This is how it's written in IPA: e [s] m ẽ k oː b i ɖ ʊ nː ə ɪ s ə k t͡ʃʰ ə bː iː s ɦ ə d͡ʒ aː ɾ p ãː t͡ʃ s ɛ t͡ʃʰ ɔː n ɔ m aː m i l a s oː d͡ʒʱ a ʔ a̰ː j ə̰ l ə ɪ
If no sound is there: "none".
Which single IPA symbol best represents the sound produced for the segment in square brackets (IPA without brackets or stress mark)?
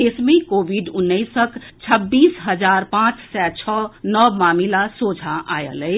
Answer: s